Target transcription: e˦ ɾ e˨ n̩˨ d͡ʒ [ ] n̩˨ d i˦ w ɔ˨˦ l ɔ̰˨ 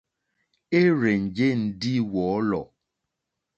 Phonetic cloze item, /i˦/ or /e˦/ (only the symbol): e˦